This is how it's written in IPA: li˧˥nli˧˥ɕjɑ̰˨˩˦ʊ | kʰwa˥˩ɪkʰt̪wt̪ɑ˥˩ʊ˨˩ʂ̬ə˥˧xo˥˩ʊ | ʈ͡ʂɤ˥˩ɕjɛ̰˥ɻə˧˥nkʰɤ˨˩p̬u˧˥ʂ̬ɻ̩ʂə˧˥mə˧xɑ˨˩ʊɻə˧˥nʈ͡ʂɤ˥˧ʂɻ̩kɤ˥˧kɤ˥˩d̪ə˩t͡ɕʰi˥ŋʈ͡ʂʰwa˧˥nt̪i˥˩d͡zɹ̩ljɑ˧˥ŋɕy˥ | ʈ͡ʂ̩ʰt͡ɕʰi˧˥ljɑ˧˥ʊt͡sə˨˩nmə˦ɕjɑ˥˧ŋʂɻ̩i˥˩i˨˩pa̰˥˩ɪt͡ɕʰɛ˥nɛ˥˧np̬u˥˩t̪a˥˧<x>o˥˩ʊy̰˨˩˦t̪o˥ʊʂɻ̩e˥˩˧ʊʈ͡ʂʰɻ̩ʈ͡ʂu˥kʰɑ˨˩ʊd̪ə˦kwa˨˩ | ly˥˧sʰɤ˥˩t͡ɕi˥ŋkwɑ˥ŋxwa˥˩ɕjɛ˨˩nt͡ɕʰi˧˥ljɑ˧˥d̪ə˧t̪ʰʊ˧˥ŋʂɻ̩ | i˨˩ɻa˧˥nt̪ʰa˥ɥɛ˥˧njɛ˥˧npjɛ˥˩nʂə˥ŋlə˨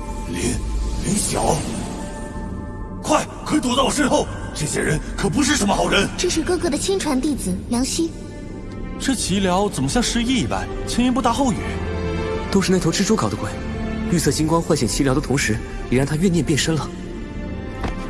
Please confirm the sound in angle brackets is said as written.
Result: yes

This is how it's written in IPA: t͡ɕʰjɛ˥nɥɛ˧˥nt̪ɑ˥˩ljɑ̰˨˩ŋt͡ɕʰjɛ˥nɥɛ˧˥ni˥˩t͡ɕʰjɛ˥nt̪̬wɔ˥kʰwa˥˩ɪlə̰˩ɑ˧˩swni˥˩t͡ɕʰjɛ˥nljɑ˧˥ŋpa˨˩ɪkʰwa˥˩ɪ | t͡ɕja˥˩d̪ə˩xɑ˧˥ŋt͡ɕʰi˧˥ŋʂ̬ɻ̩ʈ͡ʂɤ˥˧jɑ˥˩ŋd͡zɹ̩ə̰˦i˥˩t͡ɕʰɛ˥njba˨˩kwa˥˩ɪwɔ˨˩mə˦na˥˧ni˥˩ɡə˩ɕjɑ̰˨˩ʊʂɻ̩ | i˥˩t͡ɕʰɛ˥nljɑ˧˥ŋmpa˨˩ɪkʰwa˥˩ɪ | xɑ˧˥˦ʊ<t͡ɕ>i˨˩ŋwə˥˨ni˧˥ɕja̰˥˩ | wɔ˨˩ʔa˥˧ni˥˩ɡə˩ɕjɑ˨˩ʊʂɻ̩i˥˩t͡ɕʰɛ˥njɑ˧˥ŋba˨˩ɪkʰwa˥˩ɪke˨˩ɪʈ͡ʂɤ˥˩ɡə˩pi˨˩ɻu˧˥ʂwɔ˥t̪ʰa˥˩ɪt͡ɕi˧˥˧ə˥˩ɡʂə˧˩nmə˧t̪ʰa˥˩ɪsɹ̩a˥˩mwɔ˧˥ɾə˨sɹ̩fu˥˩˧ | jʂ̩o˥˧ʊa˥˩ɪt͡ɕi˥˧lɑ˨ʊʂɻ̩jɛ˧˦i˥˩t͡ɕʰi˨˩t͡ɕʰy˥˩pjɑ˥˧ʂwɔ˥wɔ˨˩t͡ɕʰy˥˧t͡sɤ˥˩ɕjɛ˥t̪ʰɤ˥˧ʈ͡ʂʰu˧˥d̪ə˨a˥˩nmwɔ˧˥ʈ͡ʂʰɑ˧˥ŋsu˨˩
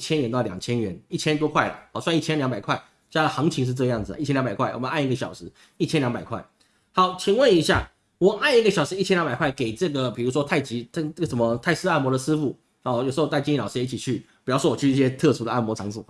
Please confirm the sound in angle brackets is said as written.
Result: no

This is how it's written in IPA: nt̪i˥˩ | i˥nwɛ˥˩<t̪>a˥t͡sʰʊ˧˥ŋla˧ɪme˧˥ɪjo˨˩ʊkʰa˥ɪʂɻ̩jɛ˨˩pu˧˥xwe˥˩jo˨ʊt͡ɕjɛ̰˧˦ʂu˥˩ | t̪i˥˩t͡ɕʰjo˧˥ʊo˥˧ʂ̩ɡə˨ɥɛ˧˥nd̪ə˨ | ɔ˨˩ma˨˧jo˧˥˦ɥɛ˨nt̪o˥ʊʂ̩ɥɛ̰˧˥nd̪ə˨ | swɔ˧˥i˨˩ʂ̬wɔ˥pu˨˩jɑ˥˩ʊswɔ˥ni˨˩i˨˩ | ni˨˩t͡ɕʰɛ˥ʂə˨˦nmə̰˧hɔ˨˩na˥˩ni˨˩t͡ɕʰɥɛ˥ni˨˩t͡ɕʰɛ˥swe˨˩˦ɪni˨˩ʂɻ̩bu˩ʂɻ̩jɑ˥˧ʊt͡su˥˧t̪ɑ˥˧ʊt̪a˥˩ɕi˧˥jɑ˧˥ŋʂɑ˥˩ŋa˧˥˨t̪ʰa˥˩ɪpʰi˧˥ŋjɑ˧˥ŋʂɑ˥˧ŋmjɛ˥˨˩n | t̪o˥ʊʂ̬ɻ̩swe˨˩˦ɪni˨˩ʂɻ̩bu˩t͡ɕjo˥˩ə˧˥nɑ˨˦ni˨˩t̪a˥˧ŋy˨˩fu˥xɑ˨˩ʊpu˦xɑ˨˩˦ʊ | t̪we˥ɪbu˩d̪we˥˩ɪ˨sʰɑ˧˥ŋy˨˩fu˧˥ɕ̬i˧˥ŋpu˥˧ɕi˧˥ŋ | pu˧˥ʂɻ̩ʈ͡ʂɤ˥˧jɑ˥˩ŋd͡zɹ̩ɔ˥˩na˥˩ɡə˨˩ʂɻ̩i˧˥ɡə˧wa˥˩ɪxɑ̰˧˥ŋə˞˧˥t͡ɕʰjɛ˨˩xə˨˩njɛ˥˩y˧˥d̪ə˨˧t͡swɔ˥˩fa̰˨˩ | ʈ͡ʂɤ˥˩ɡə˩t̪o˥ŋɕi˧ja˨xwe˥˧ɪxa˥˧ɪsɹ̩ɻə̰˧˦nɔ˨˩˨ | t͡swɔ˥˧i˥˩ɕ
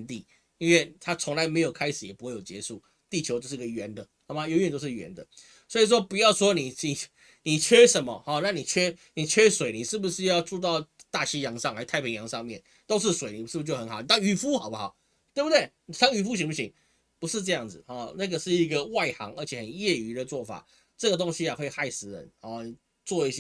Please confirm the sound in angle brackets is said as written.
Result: no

